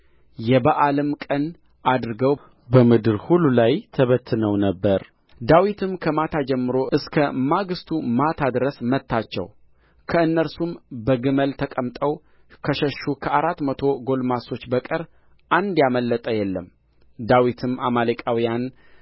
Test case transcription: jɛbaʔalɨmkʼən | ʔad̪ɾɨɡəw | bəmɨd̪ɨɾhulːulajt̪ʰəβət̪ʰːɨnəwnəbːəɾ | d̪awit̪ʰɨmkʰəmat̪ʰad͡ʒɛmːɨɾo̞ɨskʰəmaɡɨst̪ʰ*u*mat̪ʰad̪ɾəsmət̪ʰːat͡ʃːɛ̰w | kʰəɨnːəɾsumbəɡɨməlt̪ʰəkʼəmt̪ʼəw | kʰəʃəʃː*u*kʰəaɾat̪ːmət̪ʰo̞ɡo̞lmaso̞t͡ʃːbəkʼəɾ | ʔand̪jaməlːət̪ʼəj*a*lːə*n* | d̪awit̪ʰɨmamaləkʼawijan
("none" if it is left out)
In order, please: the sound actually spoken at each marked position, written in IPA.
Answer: u, u, ɛ, m

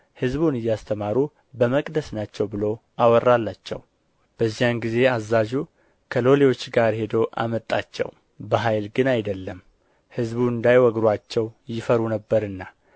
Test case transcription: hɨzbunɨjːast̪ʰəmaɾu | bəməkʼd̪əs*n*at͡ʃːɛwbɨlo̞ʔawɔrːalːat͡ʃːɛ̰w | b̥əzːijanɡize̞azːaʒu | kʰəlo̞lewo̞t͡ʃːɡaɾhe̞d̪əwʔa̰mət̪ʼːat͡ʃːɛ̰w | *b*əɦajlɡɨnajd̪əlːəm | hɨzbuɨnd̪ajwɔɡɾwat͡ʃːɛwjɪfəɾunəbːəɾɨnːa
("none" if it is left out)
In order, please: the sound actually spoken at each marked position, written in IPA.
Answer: n, b

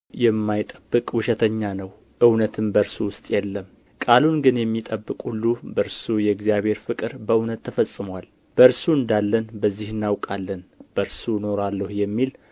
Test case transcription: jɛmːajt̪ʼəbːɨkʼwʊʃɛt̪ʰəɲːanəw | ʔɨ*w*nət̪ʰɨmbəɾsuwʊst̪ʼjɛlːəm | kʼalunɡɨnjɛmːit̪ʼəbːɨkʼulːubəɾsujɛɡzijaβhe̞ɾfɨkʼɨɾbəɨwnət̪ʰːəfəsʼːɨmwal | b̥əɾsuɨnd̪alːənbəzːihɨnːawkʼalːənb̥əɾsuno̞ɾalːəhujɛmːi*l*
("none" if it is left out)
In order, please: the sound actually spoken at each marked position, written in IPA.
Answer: w, l

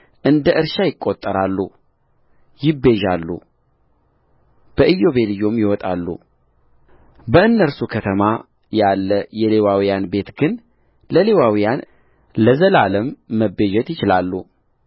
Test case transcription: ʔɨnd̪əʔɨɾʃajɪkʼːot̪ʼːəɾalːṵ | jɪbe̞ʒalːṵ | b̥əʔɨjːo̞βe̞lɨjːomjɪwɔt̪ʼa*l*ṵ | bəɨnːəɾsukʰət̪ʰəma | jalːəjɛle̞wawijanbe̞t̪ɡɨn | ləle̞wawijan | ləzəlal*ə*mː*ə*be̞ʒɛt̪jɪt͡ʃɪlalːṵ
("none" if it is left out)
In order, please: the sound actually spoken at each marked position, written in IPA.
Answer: lː, ə, ə

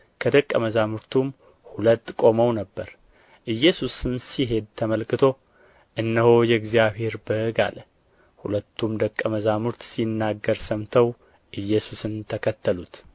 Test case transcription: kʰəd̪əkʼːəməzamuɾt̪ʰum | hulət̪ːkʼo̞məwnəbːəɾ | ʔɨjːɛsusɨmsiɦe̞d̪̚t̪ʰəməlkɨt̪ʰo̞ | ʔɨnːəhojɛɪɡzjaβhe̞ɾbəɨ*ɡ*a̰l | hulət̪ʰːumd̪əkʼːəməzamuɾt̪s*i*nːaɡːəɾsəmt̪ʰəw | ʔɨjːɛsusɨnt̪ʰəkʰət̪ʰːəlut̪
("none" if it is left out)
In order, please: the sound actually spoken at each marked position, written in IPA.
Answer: ɡ, i

